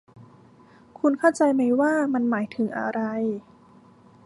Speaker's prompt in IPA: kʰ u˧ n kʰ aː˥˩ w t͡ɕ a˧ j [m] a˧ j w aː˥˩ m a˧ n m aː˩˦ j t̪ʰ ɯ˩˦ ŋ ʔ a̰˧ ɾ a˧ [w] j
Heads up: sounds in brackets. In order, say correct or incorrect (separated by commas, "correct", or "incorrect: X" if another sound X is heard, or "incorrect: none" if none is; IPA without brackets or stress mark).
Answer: correct, incorrect: none